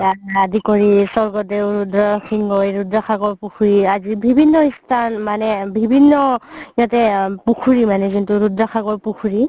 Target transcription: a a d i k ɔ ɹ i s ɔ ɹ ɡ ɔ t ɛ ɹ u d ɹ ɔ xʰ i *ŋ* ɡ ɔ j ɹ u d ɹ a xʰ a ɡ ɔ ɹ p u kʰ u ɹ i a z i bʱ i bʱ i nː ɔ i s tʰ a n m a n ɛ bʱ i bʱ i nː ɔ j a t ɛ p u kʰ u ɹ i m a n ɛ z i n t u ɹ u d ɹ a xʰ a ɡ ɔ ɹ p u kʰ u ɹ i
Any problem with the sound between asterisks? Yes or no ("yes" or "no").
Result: no